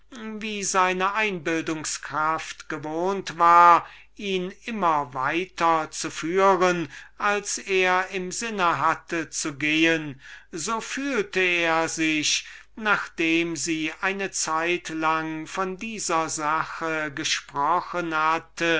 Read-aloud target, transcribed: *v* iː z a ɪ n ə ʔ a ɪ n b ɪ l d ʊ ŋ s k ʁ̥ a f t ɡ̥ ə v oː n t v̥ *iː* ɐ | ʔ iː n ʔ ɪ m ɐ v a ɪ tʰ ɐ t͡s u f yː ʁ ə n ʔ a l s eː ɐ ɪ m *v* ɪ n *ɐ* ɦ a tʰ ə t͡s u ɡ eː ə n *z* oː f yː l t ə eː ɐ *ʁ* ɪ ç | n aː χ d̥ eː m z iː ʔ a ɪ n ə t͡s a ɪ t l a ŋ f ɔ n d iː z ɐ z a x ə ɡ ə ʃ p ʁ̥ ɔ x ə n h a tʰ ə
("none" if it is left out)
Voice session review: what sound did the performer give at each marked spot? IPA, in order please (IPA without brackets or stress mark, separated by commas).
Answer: v, aː, z, ə, z, z